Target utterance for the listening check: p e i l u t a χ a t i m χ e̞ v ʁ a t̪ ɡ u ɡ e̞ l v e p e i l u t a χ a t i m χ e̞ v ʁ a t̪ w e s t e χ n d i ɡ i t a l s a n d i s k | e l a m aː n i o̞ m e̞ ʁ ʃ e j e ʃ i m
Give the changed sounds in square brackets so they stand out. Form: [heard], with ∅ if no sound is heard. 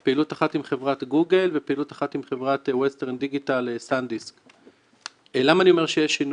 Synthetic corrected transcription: p e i l u t a χ a t i m χ e̞ v ʁ a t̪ ɡ u ɡ e̞ l v e p e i l u t a χ a t i m χ e̞ v ʁ a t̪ w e s t e [ʁ] n d i ɡ i t a l s a n d i s k | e l a m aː n i o̞ m e̞ ʁ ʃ e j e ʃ i [n]